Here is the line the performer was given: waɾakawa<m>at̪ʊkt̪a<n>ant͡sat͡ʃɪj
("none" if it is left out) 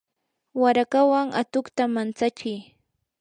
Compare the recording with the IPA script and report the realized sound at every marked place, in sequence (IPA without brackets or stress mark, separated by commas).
ŋ, m